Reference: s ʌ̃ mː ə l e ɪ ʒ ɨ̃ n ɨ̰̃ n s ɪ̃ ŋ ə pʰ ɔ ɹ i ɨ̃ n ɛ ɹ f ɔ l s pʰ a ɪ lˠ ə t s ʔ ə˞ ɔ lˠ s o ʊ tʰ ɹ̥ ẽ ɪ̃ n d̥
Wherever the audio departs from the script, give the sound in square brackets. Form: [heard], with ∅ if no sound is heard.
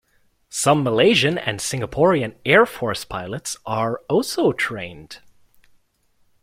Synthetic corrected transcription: s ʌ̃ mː ə l e ɪ ʒ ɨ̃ n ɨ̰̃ n s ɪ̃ ŋ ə pʰ ɔ ɹ i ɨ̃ n ɛ ɹ f ɔ [ɹ] s pʰ a ɪ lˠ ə t s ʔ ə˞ ɔ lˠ s o ʊ tʰ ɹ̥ ẽ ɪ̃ n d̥